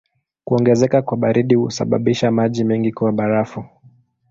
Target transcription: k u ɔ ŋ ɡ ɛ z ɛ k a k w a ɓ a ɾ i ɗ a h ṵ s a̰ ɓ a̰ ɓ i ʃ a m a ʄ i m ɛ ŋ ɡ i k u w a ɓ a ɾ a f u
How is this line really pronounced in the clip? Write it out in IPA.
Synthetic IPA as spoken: k u ɔ ŋ ɡ ɛ z ɛ k a k w a ɓ a ɾ i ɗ i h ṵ s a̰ ɓ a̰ ɓ i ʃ a m a ʄ i m ɛ ŋ ɡ i k u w a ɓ a ɾ a f u